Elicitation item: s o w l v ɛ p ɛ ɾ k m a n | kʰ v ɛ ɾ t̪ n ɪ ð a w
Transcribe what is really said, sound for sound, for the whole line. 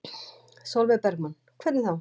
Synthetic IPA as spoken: s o w l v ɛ p ɛ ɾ k m a n | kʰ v ɛ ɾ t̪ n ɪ θ a w